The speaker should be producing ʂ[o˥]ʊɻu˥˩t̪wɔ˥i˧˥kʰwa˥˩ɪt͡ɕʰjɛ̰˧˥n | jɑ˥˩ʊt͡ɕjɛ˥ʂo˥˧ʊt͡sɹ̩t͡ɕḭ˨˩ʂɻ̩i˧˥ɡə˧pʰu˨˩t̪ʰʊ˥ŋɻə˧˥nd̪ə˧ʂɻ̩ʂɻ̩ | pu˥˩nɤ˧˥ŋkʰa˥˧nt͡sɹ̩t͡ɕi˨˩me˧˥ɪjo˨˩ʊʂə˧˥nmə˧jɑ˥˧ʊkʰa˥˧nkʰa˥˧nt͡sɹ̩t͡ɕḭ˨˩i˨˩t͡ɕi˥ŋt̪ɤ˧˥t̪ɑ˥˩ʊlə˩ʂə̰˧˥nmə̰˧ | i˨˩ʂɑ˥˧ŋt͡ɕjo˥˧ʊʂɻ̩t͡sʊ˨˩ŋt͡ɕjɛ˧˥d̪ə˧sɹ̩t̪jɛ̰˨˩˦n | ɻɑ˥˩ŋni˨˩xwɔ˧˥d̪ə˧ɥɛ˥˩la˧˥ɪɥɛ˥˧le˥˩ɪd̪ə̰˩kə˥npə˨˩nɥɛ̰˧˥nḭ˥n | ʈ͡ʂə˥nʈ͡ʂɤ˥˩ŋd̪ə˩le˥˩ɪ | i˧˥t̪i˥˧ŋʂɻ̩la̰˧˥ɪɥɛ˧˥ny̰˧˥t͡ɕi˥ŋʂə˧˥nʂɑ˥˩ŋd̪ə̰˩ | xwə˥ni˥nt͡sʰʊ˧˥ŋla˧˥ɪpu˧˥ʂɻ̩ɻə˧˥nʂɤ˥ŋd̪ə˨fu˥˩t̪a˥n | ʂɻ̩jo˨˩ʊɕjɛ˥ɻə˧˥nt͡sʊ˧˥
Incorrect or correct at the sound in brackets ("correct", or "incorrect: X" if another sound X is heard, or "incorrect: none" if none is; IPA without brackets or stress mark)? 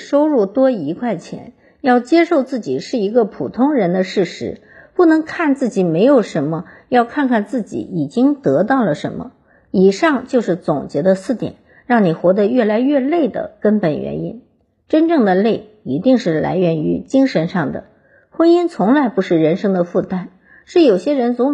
correct